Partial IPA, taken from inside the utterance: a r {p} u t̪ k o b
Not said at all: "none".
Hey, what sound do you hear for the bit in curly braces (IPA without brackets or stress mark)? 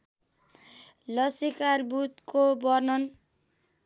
b